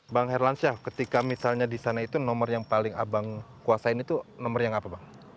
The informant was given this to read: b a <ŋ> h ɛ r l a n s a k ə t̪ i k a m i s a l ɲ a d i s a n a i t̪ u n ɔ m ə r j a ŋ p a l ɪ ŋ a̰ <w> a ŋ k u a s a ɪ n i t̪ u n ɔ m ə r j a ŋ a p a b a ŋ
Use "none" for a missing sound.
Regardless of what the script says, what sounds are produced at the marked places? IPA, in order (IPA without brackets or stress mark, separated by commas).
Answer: ŋ, b